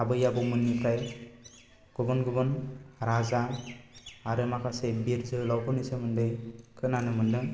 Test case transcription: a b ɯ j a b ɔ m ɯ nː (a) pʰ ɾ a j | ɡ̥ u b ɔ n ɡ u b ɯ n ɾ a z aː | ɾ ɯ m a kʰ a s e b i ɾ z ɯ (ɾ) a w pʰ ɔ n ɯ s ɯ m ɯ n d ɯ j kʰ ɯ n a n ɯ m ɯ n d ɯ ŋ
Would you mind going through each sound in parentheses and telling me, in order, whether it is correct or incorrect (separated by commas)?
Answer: incorrect, incorrect